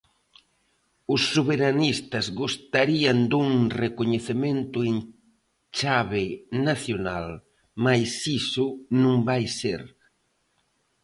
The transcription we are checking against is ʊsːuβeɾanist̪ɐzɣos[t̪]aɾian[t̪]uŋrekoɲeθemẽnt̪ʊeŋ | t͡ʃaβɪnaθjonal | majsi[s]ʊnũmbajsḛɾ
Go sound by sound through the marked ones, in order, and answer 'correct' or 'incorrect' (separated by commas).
correct, incorrect, correct